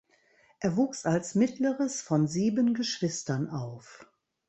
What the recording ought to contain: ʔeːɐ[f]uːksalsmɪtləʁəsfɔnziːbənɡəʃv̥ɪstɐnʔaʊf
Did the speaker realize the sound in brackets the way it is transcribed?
no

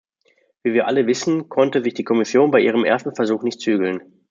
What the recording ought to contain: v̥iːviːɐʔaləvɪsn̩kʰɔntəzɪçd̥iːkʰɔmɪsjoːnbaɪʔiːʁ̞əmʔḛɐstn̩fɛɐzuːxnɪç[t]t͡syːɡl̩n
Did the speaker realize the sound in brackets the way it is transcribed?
yes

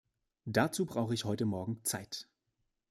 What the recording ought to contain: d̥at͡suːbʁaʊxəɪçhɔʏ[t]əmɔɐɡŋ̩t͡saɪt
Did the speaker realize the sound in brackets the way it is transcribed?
yes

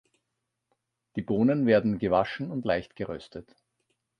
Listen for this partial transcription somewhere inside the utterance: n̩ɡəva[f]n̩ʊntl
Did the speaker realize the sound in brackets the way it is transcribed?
no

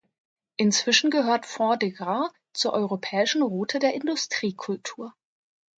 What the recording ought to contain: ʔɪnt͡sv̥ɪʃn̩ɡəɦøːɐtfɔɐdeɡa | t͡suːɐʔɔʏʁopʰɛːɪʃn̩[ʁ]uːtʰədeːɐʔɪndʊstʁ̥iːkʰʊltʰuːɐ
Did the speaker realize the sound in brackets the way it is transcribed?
yes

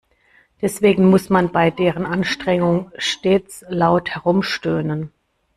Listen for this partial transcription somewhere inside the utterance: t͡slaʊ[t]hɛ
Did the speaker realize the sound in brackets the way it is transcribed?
yes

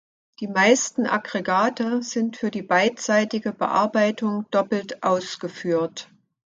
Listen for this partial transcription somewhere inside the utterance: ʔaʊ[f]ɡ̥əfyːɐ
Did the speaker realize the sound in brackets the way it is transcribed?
no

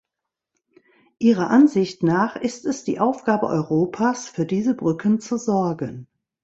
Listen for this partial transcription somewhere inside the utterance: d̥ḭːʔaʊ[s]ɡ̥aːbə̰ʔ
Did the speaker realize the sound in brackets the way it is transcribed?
no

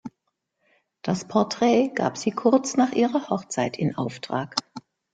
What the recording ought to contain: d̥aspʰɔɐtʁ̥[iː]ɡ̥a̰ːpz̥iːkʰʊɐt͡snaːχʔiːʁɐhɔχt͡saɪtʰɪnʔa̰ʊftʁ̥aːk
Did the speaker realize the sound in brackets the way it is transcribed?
no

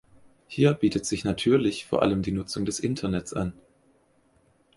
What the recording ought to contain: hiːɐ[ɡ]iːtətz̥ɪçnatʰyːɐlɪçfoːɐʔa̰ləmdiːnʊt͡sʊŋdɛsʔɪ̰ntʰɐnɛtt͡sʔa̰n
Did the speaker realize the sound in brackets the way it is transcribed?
no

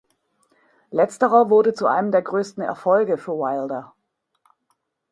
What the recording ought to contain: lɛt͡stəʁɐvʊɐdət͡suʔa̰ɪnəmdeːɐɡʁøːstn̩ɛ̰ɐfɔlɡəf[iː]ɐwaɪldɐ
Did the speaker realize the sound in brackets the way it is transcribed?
no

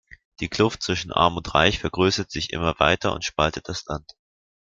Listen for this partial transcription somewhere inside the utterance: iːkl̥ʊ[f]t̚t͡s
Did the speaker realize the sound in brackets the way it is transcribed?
yes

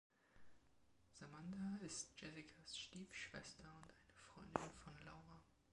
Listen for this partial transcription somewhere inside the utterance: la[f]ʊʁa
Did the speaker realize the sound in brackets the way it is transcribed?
no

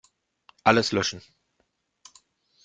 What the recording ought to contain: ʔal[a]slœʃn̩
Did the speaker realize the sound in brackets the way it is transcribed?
no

